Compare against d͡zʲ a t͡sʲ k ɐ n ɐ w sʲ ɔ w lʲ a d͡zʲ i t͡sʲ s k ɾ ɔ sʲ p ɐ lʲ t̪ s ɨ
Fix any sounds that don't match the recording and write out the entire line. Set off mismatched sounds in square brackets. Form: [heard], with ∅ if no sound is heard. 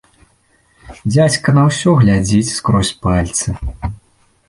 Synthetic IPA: d͡zʲ a t͡sʲ k ɐ n ɐ w sʲ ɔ [ɣ] lʲ a d͡zʲ i t͡sʲ s k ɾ ɔ sʲ p [a] lʲ t̪ s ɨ